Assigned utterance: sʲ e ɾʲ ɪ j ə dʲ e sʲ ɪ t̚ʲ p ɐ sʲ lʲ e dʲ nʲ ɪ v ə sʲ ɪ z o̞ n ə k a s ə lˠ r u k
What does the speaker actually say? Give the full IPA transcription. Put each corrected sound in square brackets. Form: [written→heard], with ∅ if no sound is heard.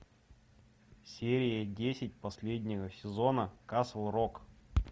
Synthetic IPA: sʲ e ɾʲ ɪ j ə dʲ e sʲ ɪ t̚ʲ p ɐ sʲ lʲ e dʲ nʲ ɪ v ə sʲ ɪ z o̞ n ə k a s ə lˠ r [u→o] k